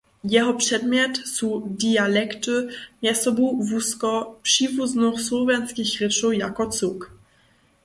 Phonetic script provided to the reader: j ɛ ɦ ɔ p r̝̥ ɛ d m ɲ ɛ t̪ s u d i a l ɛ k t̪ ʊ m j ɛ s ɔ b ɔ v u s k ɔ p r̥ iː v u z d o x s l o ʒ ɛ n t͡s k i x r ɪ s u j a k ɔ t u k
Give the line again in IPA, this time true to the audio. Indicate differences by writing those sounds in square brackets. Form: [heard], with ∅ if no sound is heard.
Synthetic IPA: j ɛ ɦ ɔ p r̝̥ ɛ d m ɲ ɛ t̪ s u d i a l ɛ k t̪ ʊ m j ɛ s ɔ b [u] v u s k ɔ p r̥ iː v u z [n] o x s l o [v] ɛ n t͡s k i x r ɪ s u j a k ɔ [t͡s] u k